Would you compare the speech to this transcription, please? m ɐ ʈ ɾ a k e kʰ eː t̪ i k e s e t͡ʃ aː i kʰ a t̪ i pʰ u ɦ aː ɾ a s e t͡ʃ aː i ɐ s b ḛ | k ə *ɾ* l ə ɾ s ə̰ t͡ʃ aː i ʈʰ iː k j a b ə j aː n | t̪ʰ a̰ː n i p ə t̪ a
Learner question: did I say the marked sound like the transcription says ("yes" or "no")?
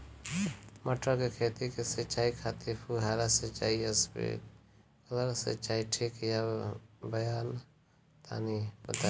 no